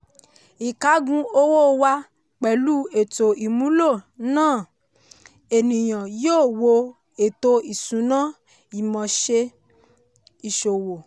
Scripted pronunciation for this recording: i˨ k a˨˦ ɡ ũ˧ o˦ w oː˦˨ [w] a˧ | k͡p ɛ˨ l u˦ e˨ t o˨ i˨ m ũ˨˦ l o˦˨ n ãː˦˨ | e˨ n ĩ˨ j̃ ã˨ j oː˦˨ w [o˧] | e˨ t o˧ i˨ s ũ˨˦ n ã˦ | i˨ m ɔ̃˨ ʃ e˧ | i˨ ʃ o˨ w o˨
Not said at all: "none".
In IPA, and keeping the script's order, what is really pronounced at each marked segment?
w, o˧

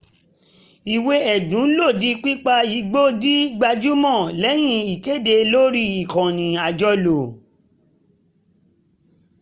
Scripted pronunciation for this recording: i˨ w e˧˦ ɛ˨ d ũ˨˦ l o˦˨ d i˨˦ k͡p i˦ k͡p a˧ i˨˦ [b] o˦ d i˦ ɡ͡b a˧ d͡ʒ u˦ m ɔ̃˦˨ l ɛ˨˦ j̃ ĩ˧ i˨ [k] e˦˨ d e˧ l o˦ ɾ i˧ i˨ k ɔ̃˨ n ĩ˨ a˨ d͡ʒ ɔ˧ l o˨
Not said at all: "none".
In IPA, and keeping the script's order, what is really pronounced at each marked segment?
ɡ͡b, k

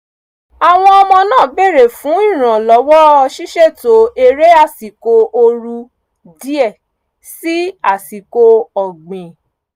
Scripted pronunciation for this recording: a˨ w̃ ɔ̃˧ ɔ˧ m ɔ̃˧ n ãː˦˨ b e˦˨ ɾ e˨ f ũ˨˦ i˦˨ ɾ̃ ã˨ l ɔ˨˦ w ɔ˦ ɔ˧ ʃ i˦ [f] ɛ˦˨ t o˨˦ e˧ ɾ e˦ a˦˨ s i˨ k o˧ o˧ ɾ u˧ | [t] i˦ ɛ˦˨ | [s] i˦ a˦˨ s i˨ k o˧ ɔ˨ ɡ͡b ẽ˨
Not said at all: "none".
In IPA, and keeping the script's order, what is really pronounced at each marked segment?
ʃ, d, s

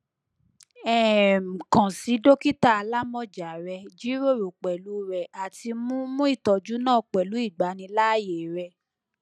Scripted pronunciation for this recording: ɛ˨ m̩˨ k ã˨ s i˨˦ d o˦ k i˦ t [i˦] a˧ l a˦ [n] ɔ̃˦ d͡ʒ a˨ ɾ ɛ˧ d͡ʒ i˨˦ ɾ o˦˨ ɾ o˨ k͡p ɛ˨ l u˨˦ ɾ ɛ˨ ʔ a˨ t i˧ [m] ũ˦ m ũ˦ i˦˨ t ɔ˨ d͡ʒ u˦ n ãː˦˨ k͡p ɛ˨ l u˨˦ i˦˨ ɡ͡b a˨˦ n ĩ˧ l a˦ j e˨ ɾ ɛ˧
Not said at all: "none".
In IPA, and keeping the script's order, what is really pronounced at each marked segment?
a˦, m, m

